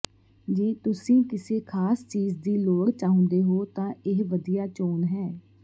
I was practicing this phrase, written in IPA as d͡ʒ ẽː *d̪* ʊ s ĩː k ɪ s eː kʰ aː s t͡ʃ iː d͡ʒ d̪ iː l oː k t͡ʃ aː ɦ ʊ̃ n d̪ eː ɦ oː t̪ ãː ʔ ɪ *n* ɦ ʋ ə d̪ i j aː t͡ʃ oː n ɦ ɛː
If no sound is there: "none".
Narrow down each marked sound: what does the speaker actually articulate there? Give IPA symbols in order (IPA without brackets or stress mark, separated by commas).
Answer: t̪, none